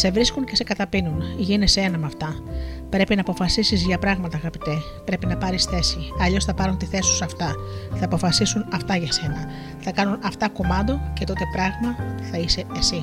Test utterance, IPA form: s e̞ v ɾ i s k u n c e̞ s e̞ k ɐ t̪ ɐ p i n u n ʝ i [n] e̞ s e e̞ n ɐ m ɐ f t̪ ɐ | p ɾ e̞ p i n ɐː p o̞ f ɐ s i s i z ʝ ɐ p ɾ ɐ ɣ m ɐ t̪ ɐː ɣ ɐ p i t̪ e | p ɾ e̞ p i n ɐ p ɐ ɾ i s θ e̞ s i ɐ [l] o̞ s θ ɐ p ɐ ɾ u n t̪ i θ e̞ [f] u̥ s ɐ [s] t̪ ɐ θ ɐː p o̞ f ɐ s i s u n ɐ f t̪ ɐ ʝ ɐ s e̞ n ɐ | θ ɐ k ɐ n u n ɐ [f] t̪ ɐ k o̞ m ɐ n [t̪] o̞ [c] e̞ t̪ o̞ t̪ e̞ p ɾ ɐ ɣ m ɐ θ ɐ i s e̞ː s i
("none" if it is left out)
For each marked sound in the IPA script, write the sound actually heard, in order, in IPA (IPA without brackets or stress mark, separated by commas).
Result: n, ʎ, s, f, f, d̪, c